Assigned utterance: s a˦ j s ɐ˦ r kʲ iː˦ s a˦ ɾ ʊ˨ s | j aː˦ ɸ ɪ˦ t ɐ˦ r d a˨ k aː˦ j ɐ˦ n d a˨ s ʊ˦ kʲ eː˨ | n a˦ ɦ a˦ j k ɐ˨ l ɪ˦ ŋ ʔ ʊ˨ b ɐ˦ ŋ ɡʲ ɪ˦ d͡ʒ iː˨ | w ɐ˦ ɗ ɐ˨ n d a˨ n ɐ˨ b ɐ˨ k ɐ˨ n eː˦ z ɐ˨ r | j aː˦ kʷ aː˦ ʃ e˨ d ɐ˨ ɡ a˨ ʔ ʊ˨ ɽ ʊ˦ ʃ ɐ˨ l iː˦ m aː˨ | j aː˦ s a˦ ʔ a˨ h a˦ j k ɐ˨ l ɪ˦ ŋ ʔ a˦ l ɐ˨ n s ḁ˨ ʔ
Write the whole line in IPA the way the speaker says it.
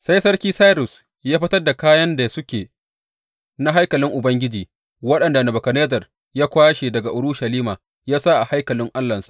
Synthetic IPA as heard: s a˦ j s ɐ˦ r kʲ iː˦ s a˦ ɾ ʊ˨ s | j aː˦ ɸ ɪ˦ t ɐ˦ r d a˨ k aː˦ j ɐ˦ n d a˨ s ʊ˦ kʲ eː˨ | n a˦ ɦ a˦ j k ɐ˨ l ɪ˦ ŋ ʔ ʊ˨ b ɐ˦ ŋ ɡʲ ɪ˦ d͡ʒ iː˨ | w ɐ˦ ɗ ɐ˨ n d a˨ n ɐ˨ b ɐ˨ k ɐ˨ n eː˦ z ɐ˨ r | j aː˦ kʷ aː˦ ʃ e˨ d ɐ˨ ɡ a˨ ʔ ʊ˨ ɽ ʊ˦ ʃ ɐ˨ l iː˦ m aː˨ | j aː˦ s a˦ ʔ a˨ h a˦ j k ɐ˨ l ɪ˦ ŋ ʔ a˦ lː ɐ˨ n s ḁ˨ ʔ